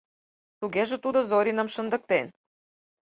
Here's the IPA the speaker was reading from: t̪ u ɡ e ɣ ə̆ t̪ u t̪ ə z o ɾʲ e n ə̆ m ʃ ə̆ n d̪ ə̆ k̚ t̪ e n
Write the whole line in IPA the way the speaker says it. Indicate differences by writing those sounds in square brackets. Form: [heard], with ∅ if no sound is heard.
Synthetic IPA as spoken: t̪ u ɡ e [ʒ] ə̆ t̪ u [d̪] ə z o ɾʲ [i] n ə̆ m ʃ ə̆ n d̪ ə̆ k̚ t̪ e n